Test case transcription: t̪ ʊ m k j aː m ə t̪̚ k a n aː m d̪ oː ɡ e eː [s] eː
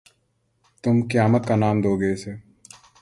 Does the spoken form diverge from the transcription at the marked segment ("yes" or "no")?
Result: no